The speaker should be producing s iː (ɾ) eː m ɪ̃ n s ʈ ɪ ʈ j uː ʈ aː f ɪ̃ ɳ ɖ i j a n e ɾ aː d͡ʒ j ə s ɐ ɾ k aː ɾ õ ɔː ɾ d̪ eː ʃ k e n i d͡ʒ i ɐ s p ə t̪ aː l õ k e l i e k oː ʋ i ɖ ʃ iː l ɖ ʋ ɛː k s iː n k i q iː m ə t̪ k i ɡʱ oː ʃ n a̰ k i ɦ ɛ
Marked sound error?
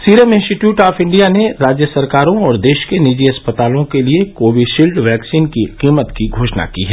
no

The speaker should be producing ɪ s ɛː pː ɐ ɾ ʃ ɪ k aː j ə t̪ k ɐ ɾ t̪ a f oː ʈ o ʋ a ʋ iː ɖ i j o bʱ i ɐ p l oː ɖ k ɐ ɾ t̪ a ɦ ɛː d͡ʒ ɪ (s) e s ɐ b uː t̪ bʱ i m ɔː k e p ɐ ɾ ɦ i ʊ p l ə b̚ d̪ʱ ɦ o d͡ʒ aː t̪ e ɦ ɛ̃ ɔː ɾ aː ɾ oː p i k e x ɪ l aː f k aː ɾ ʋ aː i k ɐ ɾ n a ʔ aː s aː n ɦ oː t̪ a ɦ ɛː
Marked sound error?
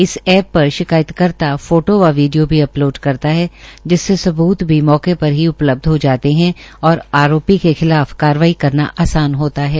yes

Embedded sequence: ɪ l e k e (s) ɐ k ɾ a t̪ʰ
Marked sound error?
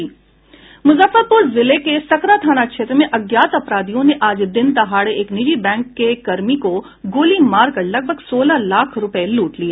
no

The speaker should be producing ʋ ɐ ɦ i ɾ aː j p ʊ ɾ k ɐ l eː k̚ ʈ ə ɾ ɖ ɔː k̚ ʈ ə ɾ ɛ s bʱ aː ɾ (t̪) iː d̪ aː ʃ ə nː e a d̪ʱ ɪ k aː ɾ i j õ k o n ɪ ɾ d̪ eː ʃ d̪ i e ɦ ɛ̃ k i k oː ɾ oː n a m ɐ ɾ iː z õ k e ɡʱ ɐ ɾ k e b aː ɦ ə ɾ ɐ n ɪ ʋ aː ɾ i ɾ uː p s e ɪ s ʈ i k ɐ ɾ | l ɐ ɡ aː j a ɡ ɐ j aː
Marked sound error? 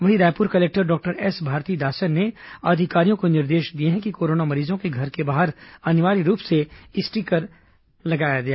no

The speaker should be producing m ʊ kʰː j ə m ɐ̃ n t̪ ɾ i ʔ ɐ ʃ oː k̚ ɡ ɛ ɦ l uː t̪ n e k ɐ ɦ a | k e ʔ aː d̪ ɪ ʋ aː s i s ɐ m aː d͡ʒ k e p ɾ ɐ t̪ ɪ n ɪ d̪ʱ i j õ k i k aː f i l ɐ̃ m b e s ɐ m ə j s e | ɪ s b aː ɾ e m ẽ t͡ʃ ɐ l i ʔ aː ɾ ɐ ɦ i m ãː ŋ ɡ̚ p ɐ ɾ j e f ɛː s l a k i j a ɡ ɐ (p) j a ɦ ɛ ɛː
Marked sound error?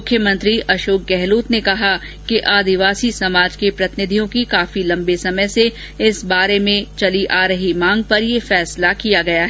yes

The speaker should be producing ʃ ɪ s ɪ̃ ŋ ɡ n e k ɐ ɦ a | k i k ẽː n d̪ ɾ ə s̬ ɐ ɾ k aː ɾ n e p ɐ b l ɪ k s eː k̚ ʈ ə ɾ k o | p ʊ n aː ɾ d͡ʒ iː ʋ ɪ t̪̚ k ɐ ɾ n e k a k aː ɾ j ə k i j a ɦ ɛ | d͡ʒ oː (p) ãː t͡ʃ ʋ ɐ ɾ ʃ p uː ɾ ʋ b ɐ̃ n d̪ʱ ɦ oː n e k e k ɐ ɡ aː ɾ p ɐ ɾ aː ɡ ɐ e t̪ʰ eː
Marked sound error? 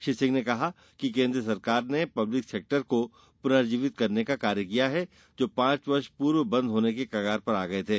no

